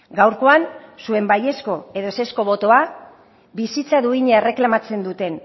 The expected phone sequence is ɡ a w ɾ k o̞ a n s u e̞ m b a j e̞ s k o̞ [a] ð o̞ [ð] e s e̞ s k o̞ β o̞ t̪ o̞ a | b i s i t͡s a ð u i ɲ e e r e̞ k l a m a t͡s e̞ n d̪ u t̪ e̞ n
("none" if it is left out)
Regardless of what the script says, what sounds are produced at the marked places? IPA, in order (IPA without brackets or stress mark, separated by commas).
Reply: e, none